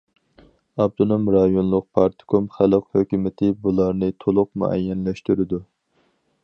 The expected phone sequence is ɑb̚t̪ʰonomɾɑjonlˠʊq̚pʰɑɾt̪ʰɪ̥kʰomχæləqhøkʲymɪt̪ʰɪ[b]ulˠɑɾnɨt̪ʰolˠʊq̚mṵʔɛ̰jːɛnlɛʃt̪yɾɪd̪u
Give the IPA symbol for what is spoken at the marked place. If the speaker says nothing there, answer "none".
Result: b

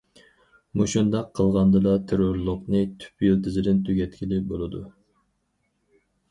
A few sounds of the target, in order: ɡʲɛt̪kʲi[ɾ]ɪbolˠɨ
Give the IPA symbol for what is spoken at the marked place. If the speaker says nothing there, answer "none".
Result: l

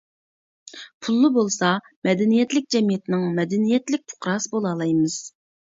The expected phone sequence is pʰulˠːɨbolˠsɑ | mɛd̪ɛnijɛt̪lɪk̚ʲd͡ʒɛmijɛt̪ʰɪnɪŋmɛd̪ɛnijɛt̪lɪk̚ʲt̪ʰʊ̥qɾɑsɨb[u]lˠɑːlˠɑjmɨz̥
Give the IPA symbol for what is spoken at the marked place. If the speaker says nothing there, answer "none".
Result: o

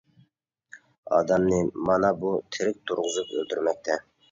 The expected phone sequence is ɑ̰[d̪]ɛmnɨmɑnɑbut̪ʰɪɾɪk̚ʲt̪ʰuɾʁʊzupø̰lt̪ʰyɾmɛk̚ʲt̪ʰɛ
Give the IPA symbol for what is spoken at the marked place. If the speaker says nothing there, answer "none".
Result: d̪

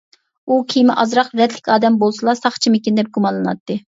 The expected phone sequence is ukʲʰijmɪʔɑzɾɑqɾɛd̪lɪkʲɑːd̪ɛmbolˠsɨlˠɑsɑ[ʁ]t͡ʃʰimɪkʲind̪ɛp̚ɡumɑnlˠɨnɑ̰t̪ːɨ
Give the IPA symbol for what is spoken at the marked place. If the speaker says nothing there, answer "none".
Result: χ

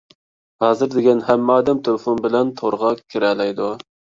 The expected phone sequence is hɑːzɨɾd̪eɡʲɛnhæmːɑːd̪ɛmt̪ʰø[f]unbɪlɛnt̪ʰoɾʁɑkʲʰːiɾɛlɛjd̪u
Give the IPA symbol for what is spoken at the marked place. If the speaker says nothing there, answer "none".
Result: f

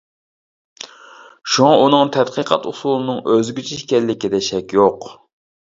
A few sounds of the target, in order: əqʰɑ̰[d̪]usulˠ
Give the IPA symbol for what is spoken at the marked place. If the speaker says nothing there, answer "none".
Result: t̪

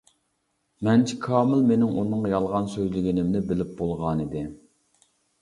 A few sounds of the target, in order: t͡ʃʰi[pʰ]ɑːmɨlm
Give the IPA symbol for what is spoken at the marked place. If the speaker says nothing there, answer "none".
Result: kʰ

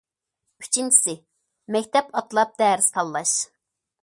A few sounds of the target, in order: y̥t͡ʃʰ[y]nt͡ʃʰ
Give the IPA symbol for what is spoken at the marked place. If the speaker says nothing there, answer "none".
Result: i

